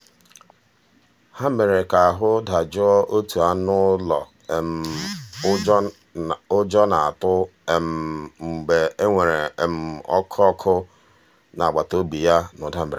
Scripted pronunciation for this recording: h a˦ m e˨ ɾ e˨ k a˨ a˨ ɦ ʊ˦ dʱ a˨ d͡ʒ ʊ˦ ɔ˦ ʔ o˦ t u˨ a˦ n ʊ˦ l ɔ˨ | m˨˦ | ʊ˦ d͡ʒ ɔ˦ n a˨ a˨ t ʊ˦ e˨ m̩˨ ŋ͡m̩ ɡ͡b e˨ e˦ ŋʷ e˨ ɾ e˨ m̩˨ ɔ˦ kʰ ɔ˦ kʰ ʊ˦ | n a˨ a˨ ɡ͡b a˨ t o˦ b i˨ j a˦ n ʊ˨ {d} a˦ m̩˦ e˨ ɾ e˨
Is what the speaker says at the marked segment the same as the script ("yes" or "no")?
yes